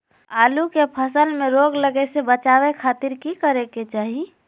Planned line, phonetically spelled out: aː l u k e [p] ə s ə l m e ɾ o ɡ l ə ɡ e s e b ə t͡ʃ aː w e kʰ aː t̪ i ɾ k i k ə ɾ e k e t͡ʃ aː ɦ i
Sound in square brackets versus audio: incorrect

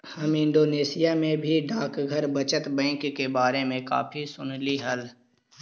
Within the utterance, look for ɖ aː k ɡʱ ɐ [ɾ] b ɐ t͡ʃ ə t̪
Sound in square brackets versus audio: correct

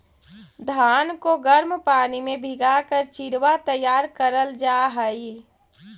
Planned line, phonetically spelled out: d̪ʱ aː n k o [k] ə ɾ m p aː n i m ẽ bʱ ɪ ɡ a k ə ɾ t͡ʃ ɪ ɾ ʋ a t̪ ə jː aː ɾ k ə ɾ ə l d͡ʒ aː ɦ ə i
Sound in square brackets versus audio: incorrect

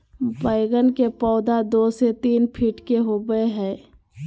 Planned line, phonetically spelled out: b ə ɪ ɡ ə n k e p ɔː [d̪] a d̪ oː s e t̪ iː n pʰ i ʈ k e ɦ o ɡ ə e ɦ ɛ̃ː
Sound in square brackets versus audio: correct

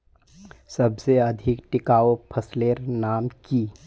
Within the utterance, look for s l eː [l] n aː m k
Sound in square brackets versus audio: incorrect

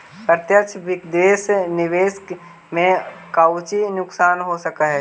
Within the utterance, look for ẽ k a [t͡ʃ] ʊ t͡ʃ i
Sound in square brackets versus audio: incorrect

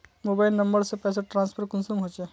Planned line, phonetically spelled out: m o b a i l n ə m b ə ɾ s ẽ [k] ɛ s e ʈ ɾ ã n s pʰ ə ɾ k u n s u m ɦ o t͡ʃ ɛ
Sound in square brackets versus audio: incorrect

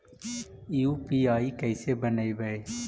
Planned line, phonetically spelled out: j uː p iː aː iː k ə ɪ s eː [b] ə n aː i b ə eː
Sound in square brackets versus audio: correct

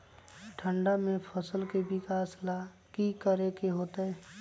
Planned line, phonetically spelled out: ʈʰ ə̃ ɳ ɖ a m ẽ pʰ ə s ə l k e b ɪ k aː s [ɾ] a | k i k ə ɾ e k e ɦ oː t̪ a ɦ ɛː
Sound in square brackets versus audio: incorrect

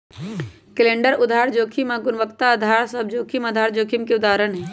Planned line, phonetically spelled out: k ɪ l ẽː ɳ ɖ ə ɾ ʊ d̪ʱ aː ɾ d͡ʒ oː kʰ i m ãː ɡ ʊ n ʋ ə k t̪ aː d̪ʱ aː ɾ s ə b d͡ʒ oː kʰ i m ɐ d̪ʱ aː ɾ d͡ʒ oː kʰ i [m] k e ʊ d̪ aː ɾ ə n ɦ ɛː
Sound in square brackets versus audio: correct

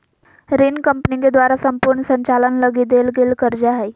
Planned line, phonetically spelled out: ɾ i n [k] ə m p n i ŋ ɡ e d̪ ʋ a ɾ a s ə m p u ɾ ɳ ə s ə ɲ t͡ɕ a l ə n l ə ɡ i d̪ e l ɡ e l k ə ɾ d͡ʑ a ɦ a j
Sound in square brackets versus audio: correct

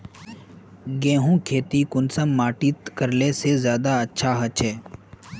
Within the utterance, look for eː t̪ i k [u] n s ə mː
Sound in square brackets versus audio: incorrect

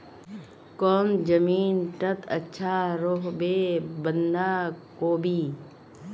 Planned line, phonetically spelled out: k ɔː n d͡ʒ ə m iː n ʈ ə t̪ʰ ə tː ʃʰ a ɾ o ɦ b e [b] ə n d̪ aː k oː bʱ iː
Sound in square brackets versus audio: correct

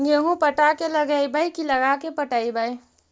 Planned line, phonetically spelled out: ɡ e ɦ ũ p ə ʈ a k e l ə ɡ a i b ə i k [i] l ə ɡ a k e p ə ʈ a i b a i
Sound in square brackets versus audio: correct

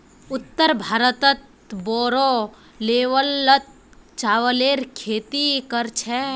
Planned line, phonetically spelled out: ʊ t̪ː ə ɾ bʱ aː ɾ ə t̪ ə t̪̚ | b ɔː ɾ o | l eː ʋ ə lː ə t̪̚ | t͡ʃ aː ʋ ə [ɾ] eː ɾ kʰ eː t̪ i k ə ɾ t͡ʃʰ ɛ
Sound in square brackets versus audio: incorrect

